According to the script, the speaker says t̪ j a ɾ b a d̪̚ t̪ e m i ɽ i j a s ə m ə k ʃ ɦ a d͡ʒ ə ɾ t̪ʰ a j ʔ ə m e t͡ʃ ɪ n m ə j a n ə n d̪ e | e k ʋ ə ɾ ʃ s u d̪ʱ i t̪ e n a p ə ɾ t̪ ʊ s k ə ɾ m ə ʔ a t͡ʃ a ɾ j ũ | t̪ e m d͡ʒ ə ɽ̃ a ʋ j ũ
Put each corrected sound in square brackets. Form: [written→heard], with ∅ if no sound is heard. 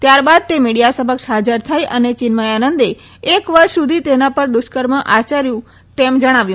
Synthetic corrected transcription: t̪ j a ɾ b a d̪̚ t̪ e m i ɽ i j a s ə m ə k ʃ ɦ a d͡ʒ ə ɾ t̪ʰ a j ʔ ə [m→n] e t͡ʃ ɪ n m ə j a n ə n d̪ e | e k ʋ ə ɾ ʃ s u d̪ʱ i t̪ e n a p ə ɾ [t̪→d̪] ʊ [s→ʃ] k ə ɾ m ə ʔ a t͡ʃ a ɾ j ũ | t̪ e m d͡ʒ ə ɽ̃ a ʋ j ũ